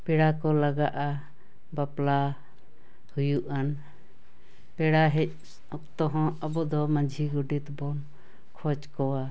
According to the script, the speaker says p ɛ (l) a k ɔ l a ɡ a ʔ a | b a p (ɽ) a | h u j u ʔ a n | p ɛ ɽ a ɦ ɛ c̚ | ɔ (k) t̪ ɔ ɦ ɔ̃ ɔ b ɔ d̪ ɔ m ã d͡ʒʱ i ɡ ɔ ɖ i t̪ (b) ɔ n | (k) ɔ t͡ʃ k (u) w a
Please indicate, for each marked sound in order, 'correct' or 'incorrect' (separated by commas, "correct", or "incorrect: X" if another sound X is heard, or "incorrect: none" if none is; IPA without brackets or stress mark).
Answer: incorrect: ɽ, incorrect: l, correct, correct, incorrect: kʰ, incorrect: ɔ